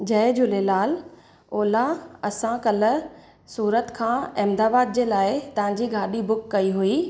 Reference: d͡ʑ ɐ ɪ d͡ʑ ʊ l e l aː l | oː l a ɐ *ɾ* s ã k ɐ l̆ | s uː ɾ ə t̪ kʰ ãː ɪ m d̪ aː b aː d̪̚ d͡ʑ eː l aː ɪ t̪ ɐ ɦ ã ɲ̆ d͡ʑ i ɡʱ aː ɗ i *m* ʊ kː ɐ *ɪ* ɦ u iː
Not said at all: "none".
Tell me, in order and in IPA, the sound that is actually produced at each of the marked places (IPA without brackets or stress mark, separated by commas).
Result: none, b, i